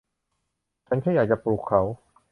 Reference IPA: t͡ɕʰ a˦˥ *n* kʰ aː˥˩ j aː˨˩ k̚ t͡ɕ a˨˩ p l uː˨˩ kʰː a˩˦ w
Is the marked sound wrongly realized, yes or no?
no